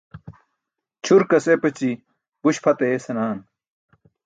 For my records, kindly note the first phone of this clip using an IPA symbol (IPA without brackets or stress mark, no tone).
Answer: t͡ɕʰ